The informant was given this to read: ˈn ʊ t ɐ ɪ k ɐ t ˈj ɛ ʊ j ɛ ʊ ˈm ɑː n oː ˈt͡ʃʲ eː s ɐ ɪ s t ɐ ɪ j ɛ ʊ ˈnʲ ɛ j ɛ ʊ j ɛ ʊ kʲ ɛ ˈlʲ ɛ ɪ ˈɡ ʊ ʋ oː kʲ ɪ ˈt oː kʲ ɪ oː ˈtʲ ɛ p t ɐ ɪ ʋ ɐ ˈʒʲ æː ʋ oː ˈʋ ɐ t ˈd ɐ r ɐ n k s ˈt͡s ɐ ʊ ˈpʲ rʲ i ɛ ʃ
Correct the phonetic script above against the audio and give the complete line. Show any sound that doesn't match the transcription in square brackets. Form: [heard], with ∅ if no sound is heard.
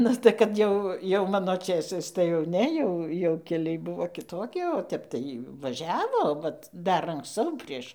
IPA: ˈn ʊ t ɐ ɪ k ɐ t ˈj ɛ ʊ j ɛ ʊ ˈm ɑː n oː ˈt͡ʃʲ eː s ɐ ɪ s t ɐ ɪ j ɛ ʊ ˈnʲ ɛ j ɛ ʊ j ɛ ʊ kʲ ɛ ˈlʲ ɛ ɪ [ˈb] ʊ ʋ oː kʲ ɪ ˈt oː kʲ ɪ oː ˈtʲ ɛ p t ɐ ɪ ʋ ɐ ˈʒʲ æː ʋ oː ˈʋ ɐ t ˈd ɐ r ɐ [ŋ] k s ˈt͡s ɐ ʊ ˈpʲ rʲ i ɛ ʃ